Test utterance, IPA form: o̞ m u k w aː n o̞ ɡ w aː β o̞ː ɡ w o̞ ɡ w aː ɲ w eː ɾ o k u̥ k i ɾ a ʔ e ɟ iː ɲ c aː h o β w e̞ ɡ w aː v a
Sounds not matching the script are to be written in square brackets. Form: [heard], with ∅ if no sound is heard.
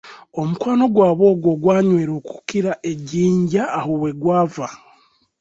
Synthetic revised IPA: o̞ m u k w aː n o̞ ɡ w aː β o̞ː ɡ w o̞ ɡ w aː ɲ w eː ɾ o k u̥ k i ɾ a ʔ e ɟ iː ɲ [ɟ] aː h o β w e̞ ɡ w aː v a